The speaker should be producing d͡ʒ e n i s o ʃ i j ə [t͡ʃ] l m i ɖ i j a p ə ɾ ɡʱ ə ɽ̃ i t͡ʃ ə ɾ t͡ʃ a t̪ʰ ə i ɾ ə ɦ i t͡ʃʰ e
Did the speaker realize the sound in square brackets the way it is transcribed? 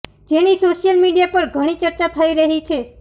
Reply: no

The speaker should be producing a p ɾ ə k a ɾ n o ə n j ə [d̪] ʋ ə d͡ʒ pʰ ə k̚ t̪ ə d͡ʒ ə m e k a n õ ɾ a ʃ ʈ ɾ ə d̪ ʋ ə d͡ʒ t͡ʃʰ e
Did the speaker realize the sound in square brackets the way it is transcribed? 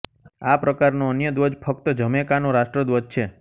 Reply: yes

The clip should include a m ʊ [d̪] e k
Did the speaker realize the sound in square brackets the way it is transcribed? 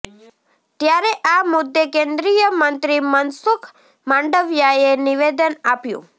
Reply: no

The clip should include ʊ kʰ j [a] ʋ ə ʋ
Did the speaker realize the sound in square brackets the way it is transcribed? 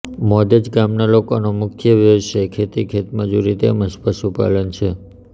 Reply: no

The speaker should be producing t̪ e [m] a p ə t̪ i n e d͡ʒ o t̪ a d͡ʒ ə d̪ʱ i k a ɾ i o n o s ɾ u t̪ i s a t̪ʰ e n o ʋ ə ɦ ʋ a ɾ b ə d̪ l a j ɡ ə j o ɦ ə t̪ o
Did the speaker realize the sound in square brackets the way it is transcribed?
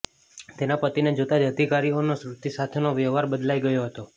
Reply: no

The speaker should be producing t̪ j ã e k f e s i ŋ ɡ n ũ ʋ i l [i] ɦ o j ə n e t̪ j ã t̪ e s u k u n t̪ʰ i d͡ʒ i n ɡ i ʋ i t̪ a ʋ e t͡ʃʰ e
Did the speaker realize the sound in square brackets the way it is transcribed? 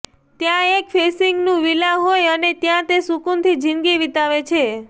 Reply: no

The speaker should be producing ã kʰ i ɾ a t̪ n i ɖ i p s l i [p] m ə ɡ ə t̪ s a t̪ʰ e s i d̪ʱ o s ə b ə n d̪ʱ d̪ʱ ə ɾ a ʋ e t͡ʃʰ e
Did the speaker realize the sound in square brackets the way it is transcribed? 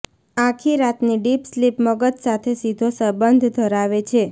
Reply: yes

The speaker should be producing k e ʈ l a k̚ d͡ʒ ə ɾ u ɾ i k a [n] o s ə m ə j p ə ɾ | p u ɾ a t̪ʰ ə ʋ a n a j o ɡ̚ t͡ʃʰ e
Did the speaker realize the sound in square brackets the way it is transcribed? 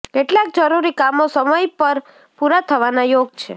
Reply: no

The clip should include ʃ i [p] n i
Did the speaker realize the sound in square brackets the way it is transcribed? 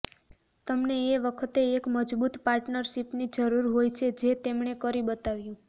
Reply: yes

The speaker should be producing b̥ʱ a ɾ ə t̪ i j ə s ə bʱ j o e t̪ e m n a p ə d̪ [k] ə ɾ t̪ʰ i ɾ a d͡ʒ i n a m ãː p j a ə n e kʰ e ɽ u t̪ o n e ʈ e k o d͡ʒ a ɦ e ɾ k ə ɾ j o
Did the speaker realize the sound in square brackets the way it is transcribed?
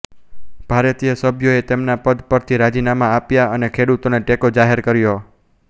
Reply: no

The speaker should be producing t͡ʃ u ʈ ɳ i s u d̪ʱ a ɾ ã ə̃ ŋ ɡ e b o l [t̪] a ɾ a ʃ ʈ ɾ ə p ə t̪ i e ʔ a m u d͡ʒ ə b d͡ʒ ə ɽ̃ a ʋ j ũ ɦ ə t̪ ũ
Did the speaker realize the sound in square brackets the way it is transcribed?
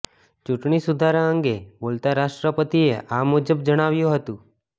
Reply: yes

